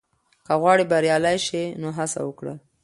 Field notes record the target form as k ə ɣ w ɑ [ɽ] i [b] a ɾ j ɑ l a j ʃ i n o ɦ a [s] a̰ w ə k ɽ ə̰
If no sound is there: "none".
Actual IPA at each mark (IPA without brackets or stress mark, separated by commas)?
ɽ, b, s